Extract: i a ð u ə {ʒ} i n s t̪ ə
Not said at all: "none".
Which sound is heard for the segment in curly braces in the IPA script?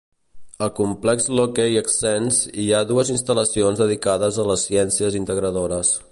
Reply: z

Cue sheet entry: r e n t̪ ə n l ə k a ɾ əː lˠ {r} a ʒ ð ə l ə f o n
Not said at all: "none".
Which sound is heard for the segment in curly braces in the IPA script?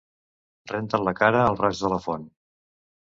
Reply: r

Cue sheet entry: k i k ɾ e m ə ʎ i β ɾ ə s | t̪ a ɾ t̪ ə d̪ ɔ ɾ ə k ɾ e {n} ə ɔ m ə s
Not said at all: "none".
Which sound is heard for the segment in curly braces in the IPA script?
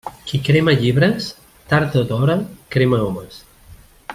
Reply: m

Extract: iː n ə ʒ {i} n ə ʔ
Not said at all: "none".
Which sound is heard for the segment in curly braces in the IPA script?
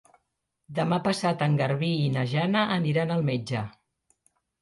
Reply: a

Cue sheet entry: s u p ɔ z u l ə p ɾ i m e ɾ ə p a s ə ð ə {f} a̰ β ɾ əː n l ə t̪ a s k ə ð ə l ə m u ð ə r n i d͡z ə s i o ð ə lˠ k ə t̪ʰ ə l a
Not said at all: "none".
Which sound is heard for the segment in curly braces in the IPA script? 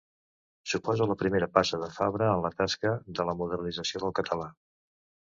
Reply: f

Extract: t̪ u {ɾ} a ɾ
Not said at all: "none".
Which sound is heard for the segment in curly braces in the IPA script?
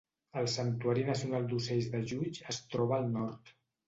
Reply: none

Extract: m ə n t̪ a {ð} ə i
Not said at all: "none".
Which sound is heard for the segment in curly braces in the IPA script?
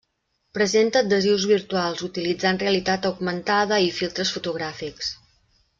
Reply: ð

